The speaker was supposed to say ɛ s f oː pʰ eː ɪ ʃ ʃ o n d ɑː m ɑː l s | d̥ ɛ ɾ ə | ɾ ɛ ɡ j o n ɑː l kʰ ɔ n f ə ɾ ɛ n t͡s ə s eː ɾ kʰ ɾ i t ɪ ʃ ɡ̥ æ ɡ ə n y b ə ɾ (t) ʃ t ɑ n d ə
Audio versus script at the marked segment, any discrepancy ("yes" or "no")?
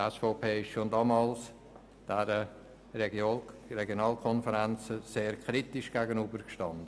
yes